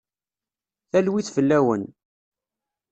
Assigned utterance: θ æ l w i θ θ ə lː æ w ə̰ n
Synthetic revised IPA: θ æ l w i θ f ə lː æ w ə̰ n